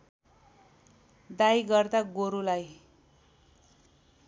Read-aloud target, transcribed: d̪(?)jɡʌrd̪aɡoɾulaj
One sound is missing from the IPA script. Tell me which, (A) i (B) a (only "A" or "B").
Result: B